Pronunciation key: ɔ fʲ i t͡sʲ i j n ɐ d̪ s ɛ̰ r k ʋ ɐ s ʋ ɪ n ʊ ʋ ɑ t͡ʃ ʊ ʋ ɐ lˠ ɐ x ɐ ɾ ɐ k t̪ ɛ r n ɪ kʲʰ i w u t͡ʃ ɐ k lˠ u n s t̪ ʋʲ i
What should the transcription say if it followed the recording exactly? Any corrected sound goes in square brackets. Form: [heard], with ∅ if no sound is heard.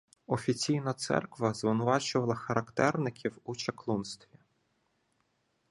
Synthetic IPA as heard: ɔ fʲ i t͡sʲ i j n ɐ [t̪] s ɛ̰ r k ʋ ɐ [z] ʋ ɪ n ʊ ʋ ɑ t͡ʃ ʊ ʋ ɐ lˠ ɐ x ɐ ɾ ɐ k t̪ ɛ r n ɪ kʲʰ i w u t͡ʃ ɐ k lˠ u n s t̪ ʋʲ i